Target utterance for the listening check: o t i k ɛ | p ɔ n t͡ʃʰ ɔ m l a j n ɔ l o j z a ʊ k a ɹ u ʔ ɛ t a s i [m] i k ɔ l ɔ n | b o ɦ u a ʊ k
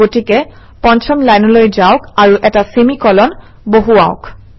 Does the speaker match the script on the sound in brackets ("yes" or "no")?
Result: yes